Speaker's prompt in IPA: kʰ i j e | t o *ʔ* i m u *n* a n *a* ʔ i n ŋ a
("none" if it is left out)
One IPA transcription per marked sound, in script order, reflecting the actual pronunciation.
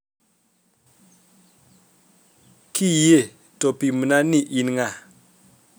p, n, i

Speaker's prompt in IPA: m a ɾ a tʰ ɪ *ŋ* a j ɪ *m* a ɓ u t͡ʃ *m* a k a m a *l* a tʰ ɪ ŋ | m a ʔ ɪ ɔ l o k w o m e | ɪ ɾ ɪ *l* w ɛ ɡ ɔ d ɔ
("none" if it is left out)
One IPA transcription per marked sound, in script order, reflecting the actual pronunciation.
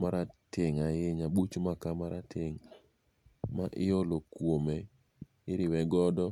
ŋ, ɲ, m, ɾ, none

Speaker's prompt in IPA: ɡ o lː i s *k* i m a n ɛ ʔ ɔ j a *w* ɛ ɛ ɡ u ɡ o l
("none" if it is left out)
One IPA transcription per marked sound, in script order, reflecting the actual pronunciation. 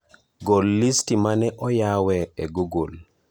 t, w

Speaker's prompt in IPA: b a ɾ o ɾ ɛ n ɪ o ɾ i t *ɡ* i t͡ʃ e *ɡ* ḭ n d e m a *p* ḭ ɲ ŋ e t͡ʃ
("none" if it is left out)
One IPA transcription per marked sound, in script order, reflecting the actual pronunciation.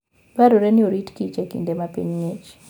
k, k, p

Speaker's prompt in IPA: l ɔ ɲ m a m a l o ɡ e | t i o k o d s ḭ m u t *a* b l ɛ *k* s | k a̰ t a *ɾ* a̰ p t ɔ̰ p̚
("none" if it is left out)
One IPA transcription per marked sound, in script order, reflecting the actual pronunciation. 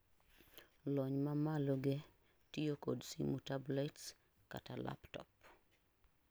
a, t, l

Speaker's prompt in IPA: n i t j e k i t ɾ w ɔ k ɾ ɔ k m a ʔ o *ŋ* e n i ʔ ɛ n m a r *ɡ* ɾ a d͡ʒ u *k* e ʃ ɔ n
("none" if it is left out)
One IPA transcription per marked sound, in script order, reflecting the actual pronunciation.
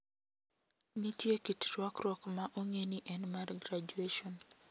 ŋ, ɡ, none

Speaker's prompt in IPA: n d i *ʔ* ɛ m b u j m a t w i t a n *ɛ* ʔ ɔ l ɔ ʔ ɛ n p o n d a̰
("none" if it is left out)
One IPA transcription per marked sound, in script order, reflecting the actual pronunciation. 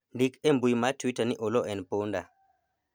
k, i

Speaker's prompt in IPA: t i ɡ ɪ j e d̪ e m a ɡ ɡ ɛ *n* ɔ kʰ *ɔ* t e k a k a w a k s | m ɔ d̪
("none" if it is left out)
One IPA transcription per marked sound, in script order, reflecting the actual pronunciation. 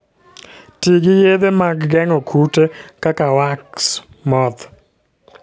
ŋ, u

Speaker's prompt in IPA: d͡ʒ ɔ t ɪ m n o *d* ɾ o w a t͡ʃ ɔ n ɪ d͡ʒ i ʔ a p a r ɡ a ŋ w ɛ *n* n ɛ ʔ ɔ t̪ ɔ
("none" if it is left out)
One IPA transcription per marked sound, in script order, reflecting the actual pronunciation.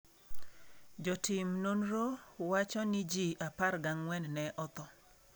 n, n

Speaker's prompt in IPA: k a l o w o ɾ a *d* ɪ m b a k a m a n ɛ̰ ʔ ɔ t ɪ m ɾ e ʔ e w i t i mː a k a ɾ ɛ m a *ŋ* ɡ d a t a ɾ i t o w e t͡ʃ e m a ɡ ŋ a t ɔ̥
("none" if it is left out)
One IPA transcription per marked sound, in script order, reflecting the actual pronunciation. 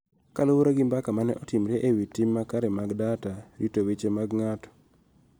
ɡ, none

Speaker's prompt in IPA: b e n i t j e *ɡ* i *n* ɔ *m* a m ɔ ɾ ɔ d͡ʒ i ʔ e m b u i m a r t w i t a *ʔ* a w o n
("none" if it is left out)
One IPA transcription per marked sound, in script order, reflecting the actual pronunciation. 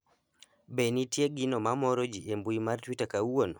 ɡ, n, m, k

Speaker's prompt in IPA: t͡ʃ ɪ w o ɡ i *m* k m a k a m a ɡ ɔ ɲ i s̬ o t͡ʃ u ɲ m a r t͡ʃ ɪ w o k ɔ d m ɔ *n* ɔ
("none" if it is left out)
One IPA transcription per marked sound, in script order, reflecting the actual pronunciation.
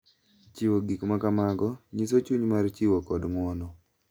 none, n

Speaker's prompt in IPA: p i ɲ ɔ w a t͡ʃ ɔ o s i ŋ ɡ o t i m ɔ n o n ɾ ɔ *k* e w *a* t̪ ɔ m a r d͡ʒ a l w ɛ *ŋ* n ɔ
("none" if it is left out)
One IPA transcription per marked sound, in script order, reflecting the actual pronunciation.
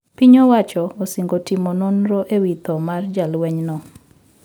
ʔ, i, ɲ

